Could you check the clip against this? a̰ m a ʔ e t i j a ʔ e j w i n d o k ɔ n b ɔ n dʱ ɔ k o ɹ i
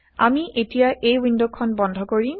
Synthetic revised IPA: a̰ m i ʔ e t i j a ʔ e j w i n d o kʰ ɔ n b ɔ n dʱ ɔ k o ɹ i